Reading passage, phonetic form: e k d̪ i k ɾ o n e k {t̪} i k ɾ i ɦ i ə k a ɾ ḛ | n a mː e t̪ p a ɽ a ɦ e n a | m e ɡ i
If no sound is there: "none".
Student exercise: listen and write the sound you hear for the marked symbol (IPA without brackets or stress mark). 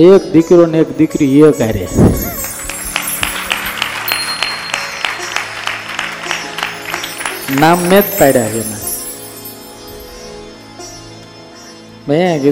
d̪